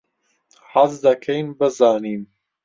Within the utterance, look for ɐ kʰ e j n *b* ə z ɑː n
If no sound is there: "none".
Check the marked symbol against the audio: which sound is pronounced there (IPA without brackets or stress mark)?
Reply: b